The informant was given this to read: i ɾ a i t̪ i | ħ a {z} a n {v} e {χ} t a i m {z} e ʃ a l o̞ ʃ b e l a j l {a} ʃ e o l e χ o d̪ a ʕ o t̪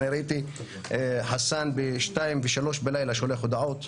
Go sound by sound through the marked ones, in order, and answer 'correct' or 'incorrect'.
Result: incorrect: s, incorrect: b, incorrect: ʃ, incorrect: v, correct

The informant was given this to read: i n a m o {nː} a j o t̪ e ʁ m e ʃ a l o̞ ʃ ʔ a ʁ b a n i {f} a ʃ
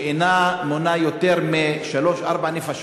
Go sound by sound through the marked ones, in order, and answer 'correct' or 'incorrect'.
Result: incorrect: n, correct

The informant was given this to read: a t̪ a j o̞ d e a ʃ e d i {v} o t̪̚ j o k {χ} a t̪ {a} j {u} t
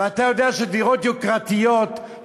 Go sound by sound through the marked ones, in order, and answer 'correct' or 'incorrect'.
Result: incorrect: ʁ, incorrect: ʁ, incorrect: i, incorrect: o

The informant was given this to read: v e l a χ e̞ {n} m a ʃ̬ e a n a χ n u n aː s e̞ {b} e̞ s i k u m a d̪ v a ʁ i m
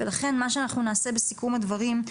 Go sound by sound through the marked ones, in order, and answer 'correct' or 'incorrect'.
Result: correct, correct

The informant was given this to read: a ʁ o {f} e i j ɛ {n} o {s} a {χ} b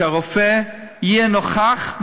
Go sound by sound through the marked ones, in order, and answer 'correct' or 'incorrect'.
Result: correct, correct, incorrect: χ, correct

